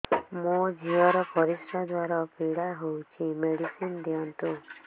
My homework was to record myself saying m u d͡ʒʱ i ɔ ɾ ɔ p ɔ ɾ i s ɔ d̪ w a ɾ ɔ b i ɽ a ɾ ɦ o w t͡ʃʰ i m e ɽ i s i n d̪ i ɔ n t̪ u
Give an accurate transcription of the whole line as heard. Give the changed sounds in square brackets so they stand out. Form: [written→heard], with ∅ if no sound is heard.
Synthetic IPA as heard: m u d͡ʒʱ i ɔ ɾ ɔ p ɔ ɾ i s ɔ d̪ w a ɾ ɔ [b→p] i ɽ a [ɾ→∅] ɦ o w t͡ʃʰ i m e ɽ i s i n d̪ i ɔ n t̪ u